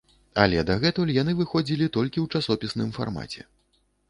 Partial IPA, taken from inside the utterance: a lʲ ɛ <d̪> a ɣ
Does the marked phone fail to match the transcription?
no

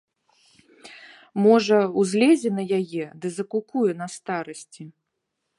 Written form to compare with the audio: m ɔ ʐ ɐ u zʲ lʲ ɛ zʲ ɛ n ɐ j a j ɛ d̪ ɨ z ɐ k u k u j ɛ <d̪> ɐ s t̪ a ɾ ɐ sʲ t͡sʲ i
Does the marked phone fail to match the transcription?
yes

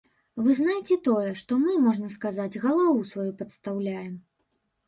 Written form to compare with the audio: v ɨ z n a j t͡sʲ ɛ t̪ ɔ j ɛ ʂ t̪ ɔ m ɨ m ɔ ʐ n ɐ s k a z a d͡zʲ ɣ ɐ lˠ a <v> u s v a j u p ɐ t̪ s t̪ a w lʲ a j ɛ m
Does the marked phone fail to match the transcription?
no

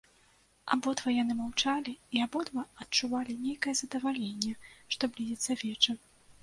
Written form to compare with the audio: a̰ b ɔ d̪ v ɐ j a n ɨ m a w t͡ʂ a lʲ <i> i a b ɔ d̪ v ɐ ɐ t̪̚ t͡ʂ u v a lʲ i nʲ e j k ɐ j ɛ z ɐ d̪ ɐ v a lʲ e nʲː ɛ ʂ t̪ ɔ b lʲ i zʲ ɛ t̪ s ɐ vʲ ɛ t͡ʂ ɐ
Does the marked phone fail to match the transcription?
no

